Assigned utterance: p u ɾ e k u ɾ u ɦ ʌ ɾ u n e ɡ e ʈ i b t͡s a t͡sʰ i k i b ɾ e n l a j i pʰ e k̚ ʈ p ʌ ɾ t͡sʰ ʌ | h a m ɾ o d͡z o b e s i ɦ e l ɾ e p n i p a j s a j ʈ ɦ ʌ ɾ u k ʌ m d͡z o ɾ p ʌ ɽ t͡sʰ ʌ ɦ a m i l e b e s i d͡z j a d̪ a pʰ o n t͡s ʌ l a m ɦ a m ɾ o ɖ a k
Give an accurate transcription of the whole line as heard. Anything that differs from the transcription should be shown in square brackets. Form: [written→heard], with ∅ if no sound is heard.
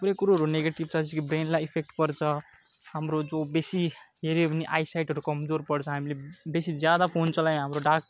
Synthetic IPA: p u ɾ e k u ɾ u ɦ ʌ ɾ u n e ɡ e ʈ i b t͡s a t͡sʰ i k i b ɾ e n l a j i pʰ e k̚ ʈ p ʌ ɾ t͡sʰ ʌ | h a m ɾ o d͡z o b e s i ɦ e [l→∅] ɾ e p n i [p→ʔ] a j s a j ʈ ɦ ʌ ɾ u k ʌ m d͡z o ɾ p ʌ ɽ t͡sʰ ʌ ɦ a m i l e b e s i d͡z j a d̪ a pʰ o n t͡s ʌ l a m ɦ a m ɾ o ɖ a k